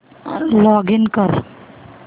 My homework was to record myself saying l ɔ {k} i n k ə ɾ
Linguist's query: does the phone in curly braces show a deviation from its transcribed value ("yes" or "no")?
yes